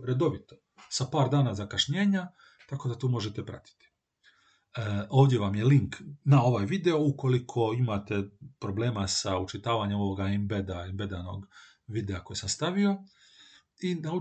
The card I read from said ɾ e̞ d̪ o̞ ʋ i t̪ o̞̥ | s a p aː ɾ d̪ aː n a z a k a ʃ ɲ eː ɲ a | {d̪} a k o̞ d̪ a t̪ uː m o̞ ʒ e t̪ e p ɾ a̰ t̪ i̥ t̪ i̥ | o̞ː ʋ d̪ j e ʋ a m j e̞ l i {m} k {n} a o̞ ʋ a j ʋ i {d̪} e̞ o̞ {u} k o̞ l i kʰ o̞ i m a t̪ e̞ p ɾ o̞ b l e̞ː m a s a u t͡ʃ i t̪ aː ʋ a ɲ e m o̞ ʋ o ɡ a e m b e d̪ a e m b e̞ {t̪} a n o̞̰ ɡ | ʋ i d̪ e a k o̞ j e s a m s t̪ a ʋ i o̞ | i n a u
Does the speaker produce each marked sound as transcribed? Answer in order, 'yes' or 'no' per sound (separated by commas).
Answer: no, no, yes, yes, yes, no